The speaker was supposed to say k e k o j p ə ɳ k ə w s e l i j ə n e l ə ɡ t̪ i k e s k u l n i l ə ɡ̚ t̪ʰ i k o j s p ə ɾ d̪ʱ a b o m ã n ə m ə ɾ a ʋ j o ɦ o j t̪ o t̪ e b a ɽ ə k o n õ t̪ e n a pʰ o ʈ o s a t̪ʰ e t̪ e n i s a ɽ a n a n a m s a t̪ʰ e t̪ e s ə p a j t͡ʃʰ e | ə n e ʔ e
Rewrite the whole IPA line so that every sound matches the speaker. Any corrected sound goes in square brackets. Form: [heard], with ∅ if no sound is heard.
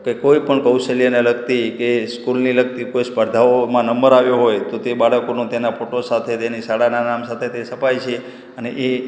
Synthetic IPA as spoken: k e k o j p ə ɳ k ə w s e l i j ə n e l ə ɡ t̪ i k e s k u l n i l ə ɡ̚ [t̪] i k o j s p ə ɾ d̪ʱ a [∅] o m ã n ə m ə ɾ a ʋ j o ɦ o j t̪ o t̪ e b a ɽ ə k o n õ t̪ e n a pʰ o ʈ o s a t̪ʰ e t̪ e n i s a ɽ a n a n a m s a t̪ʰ e t̪ e s ə p a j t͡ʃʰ e | ə n e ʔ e